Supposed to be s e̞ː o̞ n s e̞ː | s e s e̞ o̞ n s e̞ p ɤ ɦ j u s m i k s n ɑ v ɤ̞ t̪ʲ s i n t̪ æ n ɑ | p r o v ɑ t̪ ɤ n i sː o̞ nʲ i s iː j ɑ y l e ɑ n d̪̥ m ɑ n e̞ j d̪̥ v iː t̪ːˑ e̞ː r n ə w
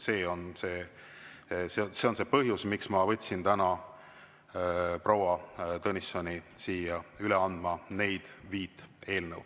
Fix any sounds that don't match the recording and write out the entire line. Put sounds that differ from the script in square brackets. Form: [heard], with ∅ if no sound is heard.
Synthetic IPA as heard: s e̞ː o̞ n s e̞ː | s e s e̞ o̞ n s e̞ p ɤ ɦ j u s m i k s [m] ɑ v ɤ̞ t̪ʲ s i n t̪ æ n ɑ | p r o [w] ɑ t̪ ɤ n i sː o̞ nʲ i s iː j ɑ y l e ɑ n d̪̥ m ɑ n e̞ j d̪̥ v iː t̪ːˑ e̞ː [l] n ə w